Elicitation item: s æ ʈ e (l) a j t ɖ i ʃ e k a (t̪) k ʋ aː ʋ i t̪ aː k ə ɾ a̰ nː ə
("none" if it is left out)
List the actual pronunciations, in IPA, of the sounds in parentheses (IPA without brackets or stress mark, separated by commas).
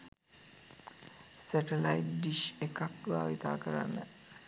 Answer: l, none